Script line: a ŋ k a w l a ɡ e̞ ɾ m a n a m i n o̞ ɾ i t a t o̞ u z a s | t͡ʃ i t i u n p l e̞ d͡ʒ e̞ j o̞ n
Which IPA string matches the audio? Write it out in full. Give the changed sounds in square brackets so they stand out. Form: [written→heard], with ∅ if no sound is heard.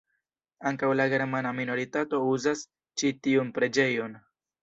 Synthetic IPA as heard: a ŋ k a w l a ɡ e̞ ɾ m a n a m i n o̞ ɾ i t a t o̞ u z a s | t͡ʃ i t i u n p [l→ɾ] e̞ d͡ʒ e̞ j o̞ n